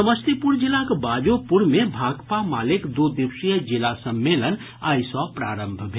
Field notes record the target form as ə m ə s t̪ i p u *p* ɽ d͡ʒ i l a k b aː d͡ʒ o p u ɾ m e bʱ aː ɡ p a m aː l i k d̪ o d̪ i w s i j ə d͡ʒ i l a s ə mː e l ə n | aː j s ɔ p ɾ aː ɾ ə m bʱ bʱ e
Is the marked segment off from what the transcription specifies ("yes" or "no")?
yes